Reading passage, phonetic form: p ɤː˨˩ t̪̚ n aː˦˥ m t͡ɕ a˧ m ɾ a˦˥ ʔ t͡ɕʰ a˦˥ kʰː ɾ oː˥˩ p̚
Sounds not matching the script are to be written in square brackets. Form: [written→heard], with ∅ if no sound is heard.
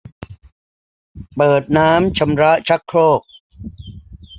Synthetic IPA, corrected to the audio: p ɤː˨˩ t̪̚ n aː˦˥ m [t͡ɕ→t͡ɕʰ] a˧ m ɾ a˦˥ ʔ t͡ɕʰ a˦˥ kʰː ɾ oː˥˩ [p̚→k̚]

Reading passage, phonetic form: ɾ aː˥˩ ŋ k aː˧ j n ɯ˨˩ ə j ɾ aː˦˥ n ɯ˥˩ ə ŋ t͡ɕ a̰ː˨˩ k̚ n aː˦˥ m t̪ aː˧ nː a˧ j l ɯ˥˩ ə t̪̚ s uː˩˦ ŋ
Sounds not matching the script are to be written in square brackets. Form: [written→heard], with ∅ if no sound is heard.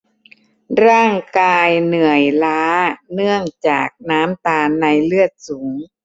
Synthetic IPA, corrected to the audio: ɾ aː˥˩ ŋ k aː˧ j n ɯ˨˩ ə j [ɾ→l] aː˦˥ n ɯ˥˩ ə ŋ t͡ɕ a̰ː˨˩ k̚ n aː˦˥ m t̪ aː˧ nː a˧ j l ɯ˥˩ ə t̪̚ s uː˩˦ ŋ

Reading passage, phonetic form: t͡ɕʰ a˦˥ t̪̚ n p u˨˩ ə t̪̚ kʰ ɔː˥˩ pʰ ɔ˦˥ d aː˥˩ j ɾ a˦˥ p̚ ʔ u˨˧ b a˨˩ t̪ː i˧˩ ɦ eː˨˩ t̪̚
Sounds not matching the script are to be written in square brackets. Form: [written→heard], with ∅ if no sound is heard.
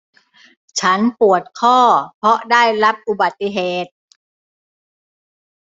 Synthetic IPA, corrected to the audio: t͡ɕʰ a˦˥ [t̪̚→∅] n p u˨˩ ə t̪̚ kʰ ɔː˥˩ pʰ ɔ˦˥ d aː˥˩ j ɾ a˦˥ p̚ ʔ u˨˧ b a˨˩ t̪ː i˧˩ ɦ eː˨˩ t̪̚

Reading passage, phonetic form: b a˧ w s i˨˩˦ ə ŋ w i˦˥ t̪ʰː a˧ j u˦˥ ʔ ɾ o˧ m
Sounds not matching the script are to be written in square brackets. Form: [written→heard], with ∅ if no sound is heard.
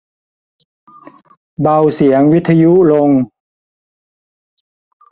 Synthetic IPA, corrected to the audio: b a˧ w s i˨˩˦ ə ŋ w i˦˥ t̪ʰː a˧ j u˦˥ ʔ [ɾ→l] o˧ [m→ŋ]

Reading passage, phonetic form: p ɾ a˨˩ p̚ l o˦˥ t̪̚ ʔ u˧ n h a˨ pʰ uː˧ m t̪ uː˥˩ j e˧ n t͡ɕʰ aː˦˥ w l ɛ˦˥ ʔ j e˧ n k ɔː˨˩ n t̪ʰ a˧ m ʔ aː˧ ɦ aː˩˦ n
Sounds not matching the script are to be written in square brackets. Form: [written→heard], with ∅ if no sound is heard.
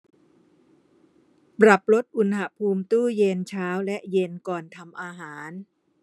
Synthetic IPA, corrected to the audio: p ɾ a˨˩ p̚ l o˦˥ t̪̚ ʔ u˧ n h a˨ pʰ uː˧ m t̪ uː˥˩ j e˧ n t͡ɕʰ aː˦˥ w l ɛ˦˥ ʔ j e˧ n k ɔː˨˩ n t̪ʰ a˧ m ʔ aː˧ ɦ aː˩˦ n

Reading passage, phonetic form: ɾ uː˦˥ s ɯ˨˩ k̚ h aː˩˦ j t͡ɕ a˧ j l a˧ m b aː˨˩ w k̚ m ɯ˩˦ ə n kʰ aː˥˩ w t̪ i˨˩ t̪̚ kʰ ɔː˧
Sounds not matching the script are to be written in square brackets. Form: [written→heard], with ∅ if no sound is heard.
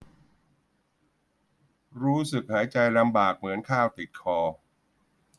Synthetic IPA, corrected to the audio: ɾ uː˦˥ s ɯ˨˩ k̚ h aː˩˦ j t͡ɕ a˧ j l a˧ m b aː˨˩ [w→∅] k̚ m ɯ˩˦ ə n kʰ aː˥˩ w t̪ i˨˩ t̪̚ kʰ ɔː˧

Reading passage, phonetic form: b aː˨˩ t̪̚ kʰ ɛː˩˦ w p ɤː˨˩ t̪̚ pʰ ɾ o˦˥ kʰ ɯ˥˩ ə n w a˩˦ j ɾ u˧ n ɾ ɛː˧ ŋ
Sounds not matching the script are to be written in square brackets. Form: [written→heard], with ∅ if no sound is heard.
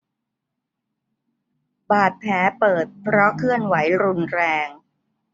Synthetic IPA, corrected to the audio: b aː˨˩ t̪̚ [kʰ→pʰ] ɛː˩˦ [w→∅] p ɤː˨˩ t̪̚ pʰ ɾ [o˦˥→ɔ˦˥] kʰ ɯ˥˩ ə n w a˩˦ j ɾ u˧ n ɾ ɛː˧ ŋ

